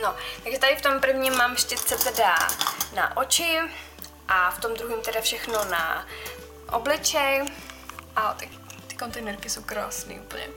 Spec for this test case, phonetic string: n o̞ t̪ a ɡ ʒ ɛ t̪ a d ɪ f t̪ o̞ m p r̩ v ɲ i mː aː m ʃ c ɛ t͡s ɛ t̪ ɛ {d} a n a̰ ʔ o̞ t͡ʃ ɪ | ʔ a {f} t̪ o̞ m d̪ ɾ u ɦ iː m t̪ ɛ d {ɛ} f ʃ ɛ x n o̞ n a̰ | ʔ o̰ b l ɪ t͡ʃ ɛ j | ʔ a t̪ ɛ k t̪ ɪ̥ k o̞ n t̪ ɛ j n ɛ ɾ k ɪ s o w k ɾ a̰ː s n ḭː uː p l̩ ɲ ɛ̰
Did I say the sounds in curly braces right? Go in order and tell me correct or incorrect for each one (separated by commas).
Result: correct, correct, incorrect